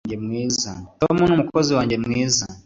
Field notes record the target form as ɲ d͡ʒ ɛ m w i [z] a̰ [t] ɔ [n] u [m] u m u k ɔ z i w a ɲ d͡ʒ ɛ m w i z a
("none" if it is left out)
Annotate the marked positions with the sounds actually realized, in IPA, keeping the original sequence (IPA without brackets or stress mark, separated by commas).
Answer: z, t, m, n